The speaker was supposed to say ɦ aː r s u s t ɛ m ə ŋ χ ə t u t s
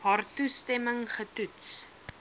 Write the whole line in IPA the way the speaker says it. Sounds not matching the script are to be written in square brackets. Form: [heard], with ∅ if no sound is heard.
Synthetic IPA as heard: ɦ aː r [t] u s t ɛ m ə ŋ χ ə t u t s